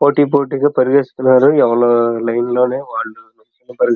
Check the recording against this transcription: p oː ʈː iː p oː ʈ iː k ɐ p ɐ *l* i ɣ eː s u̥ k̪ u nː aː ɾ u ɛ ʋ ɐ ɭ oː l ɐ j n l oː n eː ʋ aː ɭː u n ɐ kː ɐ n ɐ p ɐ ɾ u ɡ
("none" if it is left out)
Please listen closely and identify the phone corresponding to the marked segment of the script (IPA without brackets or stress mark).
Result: ɾ